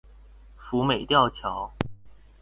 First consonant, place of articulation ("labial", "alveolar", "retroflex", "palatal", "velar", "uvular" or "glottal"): labial